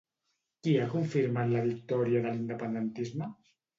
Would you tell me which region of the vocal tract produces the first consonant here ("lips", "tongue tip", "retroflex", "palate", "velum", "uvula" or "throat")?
velum